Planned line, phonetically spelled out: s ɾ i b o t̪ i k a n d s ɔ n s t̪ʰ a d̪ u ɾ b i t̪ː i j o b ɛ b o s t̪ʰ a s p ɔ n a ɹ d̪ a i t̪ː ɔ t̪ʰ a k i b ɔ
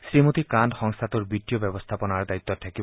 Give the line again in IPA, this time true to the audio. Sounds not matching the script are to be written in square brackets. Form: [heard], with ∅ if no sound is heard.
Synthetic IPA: s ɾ i [m] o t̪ i k a n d [x] ɔ [ŋ] s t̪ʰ a [t̪] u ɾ b i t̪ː i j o b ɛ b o s t̪ʰ a [∅] p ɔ n a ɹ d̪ a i t̪ː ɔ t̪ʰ a k i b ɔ